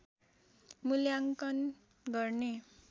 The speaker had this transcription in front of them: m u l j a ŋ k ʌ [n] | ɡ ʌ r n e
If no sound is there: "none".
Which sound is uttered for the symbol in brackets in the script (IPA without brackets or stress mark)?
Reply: n